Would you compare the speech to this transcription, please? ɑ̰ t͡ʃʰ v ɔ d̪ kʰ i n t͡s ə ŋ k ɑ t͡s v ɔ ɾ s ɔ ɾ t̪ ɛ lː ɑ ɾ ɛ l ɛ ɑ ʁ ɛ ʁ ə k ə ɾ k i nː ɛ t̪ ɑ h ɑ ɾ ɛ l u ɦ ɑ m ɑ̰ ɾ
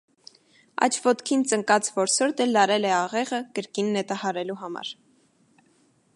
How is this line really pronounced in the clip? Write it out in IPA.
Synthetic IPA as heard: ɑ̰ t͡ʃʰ v ɔ t̪ kʰ i n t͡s ə ŋ k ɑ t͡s v ɔ ɾ s ɔ ɾ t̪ ɛ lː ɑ ɾ ɛ l ɛ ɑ ʁ ɛ ʁ ə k ə ɾ k i nː ɛ t̪ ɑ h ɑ ɾ ɛ l u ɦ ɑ m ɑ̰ ɾ